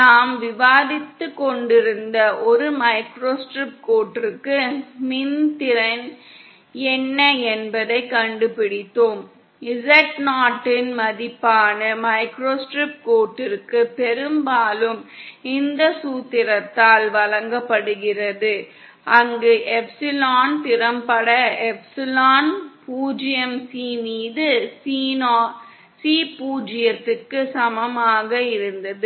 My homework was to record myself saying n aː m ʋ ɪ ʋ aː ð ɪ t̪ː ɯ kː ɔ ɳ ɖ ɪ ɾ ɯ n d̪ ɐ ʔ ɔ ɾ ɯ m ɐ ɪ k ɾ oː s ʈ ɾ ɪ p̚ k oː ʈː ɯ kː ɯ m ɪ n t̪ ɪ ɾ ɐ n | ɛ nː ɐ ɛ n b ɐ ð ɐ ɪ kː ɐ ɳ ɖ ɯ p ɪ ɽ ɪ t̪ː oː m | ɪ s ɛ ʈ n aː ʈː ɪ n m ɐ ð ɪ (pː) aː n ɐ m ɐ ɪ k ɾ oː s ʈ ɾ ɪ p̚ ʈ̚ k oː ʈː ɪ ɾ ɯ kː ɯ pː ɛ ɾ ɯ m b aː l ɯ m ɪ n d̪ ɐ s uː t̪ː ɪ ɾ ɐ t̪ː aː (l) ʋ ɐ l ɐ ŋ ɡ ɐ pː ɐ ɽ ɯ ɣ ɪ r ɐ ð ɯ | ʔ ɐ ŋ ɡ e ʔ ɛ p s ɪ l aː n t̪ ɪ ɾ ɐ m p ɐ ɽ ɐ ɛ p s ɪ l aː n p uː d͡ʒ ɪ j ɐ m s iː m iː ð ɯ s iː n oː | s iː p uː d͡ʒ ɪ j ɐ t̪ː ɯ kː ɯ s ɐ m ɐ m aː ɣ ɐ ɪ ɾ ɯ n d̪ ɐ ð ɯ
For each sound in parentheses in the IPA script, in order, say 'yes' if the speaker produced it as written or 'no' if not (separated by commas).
yes, yes